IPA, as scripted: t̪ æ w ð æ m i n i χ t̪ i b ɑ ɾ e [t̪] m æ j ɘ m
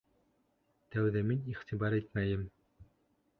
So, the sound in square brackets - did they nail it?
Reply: yes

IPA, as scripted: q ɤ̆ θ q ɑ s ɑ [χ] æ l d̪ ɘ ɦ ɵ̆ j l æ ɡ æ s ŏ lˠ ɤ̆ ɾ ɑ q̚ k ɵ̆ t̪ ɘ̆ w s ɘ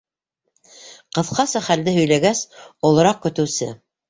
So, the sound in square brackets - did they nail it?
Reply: yes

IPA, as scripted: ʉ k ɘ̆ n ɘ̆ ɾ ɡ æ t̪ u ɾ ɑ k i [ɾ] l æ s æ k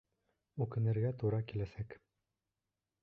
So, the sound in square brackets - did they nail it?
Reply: no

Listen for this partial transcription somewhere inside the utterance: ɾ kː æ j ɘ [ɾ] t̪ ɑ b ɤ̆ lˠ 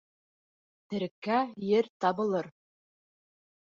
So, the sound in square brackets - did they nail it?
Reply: yes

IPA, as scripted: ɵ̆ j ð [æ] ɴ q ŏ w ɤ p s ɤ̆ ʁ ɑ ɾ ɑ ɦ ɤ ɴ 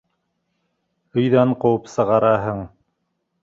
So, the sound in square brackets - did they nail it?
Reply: yes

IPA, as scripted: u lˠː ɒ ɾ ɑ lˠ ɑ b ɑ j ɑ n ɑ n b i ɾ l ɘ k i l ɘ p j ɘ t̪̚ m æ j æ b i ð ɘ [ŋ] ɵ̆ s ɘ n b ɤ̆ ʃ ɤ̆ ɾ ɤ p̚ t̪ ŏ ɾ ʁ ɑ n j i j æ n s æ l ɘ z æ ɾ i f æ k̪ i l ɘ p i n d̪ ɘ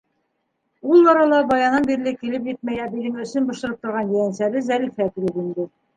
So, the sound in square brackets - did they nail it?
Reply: yes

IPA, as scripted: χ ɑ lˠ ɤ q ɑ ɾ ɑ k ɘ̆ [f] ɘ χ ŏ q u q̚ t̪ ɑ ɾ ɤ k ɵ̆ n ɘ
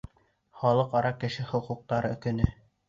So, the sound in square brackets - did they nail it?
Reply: no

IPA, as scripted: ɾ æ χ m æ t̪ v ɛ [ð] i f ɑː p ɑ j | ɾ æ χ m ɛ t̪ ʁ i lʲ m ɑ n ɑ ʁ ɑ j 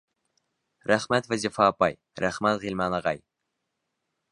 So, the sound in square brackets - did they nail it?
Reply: no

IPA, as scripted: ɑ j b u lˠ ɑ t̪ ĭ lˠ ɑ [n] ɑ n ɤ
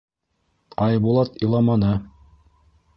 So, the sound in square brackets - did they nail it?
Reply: no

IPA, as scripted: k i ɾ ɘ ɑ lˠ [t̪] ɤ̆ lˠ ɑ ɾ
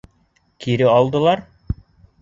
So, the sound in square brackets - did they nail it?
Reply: no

